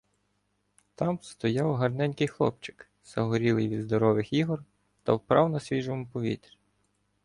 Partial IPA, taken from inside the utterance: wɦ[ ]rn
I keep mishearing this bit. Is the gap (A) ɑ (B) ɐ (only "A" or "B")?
B